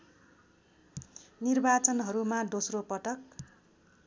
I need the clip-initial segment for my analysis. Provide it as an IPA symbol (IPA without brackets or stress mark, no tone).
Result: n